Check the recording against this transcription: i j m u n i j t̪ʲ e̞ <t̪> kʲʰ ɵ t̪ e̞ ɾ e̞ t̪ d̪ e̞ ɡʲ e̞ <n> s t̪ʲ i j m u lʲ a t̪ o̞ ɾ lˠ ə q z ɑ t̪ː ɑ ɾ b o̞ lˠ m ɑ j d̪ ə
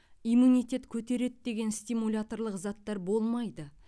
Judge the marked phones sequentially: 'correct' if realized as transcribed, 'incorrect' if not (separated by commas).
correct, correct